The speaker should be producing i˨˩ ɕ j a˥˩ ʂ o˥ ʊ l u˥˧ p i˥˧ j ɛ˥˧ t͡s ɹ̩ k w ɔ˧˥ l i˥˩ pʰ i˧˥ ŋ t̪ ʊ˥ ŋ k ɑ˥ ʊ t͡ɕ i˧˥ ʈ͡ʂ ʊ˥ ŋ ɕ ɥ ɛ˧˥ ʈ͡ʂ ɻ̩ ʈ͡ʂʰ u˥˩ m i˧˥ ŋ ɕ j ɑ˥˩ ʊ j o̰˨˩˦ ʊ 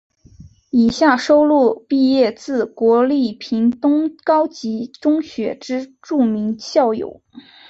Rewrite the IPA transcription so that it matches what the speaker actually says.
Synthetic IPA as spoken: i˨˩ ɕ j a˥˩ ʂ o˥ ʊ l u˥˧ p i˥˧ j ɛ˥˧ t͡s ɹ̩ k w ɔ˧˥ l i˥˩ pʰ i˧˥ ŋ t̪ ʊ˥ ŋ k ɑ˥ ʊ t͡ɕ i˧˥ ʈ͡ʂ ʊ˥ ŋ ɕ ɥ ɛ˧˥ ʈ͡ʂ ɻ̩ ʈ͡ʂ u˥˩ m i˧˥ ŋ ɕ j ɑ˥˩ ʊ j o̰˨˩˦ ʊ

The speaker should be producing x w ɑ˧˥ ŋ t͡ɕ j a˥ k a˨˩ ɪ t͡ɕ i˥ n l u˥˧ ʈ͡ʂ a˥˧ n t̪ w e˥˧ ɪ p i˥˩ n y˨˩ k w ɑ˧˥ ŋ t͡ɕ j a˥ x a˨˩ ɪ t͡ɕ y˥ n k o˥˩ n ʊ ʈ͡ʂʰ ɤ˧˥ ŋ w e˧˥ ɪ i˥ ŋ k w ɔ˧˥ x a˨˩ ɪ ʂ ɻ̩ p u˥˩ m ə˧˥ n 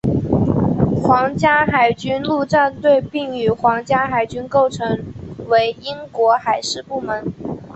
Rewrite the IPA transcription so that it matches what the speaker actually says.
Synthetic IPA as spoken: x w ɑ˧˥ ŋ t͡ɕ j a˥ x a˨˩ ɪ t͡ɕ y˥ n l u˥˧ ʈ͡ʂ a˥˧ n t̪ w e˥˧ ɪ p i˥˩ ŋ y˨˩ x w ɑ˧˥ ŋ t͡ɕ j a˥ x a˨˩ ɪ t͡ɕ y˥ n k o˥˩ ʊ ʈ͡ʂʰ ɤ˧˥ ŋ w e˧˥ ɪ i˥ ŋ k w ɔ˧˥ x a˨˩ ɪ ʂ ɻ̩ p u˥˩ m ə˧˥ n

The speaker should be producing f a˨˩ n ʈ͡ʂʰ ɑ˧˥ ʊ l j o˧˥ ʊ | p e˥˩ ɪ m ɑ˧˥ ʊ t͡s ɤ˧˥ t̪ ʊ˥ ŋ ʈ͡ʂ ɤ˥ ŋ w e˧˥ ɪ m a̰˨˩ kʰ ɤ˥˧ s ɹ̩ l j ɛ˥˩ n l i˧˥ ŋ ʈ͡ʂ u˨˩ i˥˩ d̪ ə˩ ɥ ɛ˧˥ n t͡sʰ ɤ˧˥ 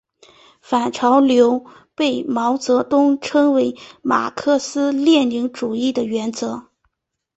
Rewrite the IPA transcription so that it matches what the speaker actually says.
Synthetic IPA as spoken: f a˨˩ n ʈ͡ʂʰ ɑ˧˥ ʊ l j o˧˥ ʊ | p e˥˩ ɪ m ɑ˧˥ ʊ t͡s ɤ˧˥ t̪ ʊ˥ ŋ ʈ͡ʂʰ ɤ˥ ŋ w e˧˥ ɪ m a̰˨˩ kʰ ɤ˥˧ s ɹ̩ l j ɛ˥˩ n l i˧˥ ŋ ʈ͡ʂ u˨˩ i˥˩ d̪ ə˩ ɥ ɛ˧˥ n t͡s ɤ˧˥

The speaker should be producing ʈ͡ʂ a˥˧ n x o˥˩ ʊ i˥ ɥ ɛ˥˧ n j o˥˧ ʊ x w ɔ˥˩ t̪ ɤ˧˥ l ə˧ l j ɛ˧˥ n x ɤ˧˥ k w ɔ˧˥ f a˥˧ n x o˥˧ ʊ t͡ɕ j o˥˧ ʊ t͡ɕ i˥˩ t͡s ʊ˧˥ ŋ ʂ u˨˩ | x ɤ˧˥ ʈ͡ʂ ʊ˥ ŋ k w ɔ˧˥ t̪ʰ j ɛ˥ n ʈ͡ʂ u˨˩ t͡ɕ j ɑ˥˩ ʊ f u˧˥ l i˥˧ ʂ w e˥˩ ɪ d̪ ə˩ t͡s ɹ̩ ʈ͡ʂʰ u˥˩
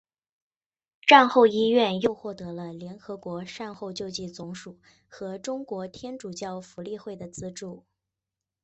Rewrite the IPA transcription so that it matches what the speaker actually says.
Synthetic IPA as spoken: ʈ͡ʂ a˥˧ n x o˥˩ ʊ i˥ ɥ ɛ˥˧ n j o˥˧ ʊ x w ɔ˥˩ t̪ ɤ˧˥ l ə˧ l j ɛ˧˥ n x ɤ˧˥ k w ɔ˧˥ ʂ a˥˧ n x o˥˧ ʊ t͡ɕ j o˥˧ ʊ t͡ɕ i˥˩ t͡s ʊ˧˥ ŋ ʂ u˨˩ | x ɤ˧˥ ʈ͡ʂ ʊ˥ ŋ k w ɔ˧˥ t̪ʰ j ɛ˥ n ʈ͡ʂ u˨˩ t͡ɕ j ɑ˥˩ ʊ f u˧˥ l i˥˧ x w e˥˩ ɪ d̪ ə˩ t͡s ɹ̩ ʈ͡ʂ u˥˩

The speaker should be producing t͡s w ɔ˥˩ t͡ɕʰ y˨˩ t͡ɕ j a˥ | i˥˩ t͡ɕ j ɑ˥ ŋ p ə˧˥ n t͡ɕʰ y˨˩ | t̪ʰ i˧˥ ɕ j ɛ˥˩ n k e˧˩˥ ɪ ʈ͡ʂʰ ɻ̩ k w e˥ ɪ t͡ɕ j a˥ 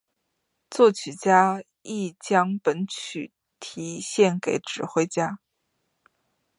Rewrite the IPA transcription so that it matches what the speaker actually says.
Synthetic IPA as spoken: t͡s w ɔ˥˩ t͡ɕʰ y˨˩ t͡ɕ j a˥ | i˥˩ t͡ɕ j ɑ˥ ŋ p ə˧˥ n t͡ɕʰ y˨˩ | t̪ʰ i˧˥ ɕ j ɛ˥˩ n k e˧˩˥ ɪ ʈ͡ʂ ɻ̩ x w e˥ ɪ t͡ɕ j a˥

